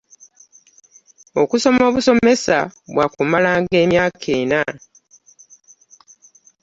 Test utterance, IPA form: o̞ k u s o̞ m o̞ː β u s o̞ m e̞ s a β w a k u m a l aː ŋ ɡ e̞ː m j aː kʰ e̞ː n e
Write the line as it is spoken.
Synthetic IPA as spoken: o̞ k u s o̞ m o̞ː β u s o̞ m e̞ s a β w a k u m a l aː ŋ ɡ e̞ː m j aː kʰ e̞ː n a